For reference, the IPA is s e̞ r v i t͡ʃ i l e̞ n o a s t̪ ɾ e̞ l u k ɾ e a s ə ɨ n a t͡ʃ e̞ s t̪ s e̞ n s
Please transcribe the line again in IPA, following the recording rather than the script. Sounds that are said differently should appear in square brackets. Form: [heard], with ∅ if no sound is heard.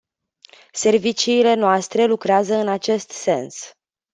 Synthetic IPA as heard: s e̞ r v i t͡ʃ [iː] l e̞ n o a s t̪ ɾ e̞ l u k ɾ e a [z] ə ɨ n a t͡ʃ e̞ s t̪ s e̞ n s